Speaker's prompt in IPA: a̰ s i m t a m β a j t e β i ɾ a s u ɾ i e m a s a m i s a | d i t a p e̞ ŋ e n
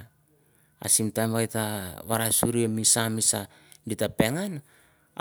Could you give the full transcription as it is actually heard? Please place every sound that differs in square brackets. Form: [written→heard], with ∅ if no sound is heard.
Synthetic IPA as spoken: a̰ s i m t a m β a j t [e→a] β [i→a] ɾ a s u ɾ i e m [a→i] s a m i s a | d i t a p e̞ ŋ [e→a] n

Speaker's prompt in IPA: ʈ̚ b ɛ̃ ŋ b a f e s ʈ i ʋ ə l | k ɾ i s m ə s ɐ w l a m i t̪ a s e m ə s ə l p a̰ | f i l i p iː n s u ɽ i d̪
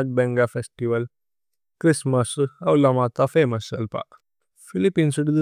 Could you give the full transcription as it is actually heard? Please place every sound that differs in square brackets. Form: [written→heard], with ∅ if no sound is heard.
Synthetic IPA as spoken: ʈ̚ b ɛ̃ ŋ [b→ɡ] a f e s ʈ i ʋ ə l | k ɾ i s m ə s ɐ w l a m [i→a] t̪ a [s→f] e m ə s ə l p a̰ | f i l i p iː n s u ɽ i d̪

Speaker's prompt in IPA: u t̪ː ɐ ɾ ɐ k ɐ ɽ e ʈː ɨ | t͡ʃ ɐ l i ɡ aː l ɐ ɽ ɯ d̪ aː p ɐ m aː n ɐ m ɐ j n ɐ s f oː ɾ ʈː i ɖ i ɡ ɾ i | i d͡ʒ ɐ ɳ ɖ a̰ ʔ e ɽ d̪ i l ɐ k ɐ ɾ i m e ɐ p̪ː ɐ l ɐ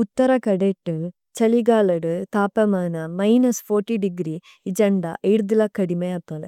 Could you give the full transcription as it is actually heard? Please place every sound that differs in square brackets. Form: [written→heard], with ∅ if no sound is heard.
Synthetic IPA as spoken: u t̪ː ɐ ɾ ɐ k ɐ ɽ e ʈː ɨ | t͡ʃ ɐ l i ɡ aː l ɐ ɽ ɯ [d̪→t̪] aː p ɐ m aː n ɐ m ɐ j n ɐ s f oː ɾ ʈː i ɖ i ɡ ɾ i | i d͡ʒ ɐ ɳ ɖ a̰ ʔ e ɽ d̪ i l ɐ k ɐ [ɾ→ɽ] i m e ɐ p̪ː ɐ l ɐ

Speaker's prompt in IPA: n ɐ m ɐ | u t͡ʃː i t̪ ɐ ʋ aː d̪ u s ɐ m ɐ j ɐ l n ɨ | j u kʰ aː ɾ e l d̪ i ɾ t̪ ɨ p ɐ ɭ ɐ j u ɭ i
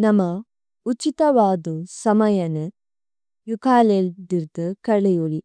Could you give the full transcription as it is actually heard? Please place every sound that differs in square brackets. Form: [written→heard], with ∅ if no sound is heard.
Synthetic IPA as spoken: n ɐ m ɐ | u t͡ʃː i t̪ ɐ ʋ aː d̪ u s ɐ m ɐ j ɐ [l→∅] n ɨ | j u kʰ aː [ɾ→l] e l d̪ i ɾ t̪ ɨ [p→k] ɐ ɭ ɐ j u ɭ i

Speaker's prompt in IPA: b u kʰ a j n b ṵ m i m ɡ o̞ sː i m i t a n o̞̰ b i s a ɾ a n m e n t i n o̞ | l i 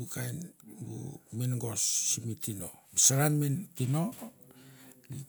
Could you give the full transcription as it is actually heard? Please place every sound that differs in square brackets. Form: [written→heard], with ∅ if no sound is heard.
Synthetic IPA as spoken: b u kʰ a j n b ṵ m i [m→n] ɡ o̞ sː i m i t [a→i] n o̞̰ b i s a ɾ a n m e n t i n o̞ | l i

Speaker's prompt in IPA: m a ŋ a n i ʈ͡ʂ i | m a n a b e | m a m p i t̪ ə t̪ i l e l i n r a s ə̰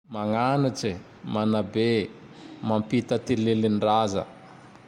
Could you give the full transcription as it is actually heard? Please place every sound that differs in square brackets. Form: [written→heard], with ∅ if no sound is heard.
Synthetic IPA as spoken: m a ŋ a n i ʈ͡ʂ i | m a n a b e | m a m p i t̪ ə t̪ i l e l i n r a [s→z] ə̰

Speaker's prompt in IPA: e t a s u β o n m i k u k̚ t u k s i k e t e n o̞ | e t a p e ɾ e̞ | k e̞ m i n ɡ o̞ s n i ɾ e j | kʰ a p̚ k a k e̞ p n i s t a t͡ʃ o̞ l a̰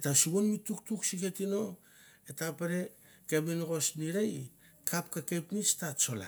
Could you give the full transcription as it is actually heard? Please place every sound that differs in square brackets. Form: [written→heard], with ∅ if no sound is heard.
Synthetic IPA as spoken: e t a s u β o n m i [k→t] u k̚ t u k s i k e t [e→i] n o̞ | e t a p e ɾ e̞ | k e̞ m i n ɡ o̞ s n i ɾ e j | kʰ a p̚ k a k e̞ p n i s t a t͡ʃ o̞ l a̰

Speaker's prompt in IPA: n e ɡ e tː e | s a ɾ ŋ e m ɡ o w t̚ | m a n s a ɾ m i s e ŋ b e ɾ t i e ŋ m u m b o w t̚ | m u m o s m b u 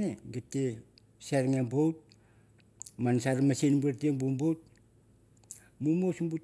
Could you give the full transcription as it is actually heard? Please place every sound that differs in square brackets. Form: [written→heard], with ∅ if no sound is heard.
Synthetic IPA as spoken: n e ɡ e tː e | s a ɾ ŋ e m [ɡ→b] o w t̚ | m a n s a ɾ m [i→a] s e [ŋ→n] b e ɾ t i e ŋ [m→b] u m b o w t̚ | m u m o s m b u

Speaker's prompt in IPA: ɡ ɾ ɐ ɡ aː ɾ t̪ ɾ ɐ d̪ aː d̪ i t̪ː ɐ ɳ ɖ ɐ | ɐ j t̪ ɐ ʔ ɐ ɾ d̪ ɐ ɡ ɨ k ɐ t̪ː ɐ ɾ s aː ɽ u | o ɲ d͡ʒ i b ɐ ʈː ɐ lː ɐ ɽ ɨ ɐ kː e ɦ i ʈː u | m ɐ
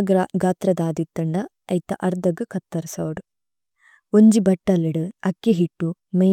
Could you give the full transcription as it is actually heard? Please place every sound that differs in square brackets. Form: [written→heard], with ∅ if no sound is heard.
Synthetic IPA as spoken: ɡ ɾ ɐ ɡ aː [ɾ→∅] t̪ ɾ ɐ d̪ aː d̪ i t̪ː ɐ ɳ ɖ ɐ | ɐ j t̪ ɐ ʔ ɐ ɾ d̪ ɐ ɡ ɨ k ɐ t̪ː ɐ ɾ s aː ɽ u | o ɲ d͡ʒ i b ɐ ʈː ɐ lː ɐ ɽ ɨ ɐ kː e ɦ i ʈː u | m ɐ

